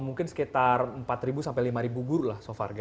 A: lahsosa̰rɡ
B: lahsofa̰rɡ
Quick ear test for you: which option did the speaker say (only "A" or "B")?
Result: B